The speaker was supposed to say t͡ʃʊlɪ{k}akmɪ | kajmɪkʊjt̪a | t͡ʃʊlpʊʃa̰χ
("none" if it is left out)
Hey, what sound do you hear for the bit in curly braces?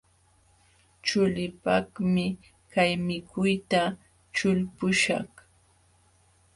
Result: p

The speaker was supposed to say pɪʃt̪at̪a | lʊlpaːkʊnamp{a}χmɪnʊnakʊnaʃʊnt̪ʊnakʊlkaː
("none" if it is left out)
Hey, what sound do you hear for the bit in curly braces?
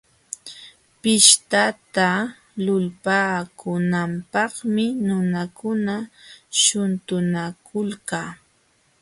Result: ɑ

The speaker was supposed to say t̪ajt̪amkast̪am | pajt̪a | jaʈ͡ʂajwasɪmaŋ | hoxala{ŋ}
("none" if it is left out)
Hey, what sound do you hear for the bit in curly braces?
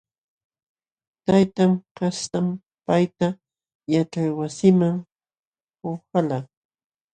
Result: none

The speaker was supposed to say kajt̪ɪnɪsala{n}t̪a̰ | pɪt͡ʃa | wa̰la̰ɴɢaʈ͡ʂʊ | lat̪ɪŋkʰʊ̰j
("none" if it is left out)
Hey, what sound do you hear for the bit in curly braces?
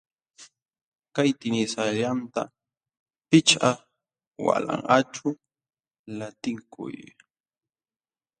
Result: n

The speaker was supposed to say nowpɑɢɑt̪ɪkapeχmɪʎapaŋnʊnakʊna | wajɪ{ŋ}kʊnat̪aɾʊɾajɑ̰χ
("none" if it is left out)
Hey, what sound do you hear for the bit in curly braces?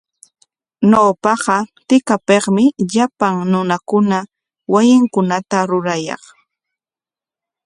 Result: ŋ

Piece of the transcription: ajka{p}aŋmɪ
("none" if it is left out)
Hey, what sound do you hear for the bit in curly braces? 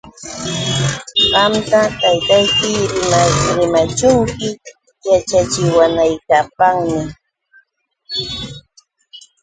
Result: p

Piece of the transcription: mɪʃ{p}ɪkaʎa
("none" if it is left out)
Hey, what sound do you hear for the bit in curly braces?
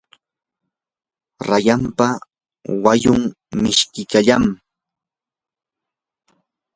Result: k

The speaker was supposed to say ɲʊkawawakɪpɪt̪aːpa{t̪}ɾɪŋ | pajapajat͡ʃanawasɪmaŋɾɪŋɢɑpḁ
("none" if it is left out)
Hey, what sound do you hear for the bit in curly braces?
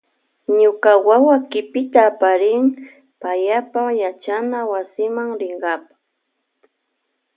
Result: none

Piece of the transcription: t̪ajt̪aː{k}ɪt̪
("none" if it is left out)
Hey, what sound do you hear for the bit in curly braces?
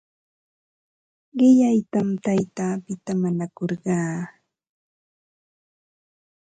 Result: p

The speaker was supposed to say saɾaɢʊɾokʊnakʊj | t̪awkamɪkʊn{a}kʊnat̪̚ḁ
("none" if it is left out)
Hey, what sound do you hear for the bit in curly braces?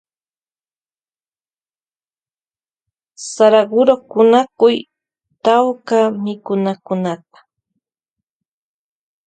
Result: a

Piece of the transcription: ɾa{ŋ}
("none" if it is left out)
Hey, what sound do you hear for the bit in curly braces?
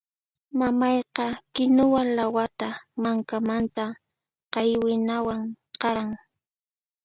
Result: ŋ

